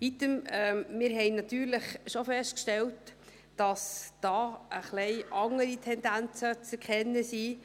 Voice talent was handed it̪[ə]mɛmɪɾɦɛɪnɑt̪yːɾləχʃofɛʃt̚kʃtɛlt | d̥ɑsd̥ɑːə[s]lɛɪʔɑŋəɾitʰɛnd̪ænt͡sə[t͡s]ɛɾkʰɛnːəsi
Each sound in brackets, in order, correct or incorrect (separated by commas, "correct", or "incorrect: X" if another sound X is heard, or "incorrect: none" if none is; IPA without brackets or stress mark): correct, incorrect: χ, correct